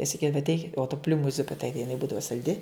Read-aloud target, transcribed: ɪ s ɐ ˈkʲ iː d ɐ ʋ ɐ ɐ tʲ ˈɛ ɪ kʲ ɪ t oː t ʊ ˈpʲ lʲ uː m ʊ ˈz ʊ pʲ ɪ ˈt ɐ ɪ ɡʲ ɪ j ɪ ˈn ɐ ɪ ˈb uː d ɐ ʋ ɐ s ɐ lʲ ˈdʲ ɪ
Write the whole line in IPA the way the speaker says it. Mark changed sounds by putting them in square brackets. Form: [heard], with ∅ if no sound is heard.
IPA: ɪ s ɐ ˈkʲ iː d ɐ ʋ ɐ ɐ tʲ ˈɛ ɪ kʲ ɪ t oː t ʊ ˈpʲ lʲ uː m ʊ ˈz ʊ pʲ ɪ ˈt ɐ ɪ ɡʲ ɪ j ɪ ˈn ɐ ɪ ˈb uː d ɐ ʋ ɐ s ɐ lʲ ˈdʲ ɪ